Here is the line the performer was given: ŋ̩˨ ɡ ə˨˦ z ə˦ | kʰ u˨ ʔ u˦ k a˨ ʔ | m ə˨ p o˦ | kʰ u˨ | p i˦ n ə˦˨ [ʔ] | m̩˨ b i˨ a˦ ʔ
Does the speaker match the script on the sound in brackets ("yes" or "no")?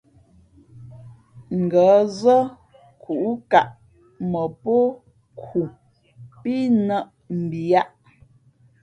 yes